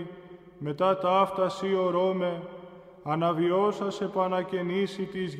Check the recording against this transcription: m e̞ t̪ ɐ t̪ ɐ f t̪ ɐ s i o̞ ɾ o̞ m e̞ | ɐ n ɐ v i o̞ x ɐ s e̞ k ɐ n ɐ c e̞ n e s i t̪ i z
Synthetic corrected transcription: m e̞ t̪ ɐ t̪ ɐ f t̪ ɐ s i o̞ ɾ o̞ m e̞ | ɐ n ɐ v i o̞ s ɐ s e̞ p ɐ n ɐ c e̞ n i s i t̪ i z